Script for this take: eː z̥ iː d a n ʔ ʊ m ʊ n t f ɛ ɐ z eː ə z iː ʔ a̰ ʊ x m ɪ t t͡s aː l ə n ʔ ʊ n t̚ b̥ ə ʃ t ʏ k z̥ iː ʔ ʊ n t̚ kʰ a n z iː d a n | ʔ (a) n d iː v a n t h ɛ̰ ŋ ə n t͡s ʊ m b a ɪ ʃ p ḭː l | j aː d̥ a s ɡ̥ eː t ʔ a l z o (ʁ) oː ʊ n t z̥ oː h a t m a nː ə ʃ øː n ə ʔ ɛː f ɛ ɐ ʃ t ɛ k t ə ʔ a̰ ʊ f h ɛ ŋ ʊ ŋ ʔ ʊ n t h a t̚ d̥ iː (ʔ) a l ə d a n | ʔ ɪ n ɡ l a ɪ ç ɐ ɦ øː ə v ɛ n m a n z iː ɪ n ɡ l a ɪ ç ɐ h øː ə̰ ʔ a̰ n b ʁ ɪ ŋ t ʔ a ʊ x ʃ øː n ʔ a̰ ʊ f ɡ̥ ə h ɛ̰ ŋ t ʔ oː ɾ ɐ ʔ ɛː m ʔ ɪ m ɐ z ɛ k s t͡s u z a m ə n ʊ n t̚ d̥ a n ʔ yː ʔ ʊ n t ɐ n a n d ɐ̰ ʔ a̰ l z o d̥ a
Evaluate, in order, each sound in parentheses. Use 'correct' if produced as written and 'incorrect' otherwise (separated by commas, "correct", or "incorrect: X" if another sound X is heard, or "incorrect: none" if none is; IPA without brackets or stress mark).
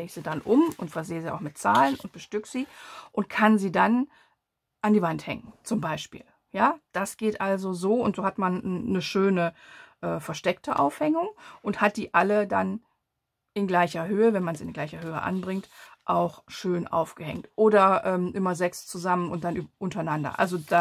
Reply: correct, incorrect: z, correct